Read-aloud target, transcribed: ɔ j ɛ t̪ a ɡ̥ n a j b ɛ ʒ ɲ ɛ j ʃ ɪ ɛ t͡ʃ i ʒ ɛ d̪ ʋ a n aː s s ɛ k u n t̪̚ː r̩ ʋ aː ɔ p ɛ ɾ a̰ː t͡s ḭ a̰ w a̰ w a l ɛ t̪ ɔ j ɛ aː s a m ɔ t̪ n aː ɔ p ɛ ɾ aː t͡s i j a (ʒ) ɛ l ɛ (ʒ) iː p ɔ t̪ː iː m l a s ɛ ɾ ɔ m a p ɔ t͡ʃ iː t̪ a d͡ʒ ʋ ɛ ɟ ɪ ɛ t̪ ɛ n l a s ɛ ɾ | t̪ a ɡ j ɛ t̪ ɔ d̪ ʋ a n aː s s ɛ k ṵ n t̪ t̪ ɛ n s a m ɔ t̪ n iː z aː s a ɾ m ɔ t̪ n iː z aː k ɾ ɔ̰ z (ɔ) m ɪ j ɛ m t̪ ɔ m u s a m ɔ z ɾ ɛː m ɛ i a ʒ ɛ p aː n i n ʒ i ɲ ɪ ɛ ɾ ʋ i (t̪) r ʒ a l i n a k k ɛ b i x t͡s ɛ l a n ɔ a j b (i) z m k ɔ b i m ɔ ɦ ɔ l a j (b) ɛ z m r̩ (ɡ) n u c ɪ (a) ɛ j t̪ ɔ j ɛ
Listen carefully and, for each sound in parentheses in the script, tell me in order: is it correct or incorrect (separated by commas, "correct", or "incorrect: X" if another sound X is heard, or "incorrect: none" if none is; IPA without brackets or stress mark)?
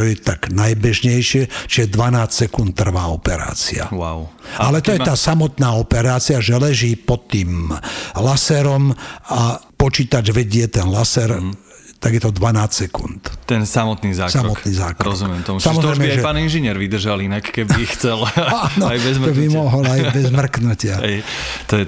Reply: correct, correct, incorrect: u, incorrect: d̪, incorrect: ɛ, correct, incorrect: k, correct